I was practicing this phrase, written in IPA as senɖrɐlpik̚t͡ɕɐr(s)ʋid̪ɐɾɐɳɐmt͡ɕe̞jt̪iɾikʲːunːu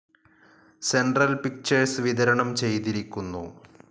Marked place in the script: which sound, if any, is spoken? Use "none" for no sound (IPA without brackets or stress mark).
s